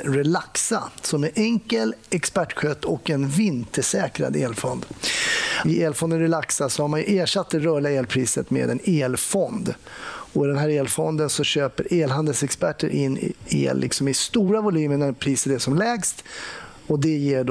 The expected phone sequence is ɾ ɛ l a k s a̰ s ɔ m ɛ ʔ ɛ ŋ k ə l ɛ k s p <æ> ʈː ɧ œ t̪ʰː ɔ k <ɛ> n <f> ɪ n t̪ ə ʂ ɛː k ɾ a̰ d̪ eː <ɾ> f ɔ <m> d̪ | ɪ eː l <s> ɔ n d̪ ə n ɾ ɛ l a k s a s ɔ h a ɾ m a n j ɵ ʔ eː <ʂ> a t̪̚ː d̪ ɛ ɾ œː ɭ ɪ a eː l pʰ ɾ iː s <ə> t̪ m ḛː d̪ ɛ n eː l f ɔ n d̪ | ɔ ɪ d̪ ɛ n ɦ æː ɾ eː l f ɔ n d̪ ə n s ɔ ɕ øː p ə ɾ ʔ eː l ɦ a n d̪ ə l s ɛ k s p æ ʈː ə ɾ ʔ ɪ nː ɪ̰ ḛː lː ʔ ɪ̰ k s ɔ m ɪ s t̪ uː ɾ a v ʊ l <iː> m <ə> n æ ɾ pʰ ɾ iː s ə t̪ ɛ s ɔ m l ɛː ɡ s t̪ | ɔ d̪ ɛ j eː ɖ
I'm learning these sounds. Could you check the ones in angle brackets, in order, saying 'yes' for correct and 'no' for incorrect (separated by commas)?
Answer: yes, yes, no, no, no, no, yes, yes, no, yes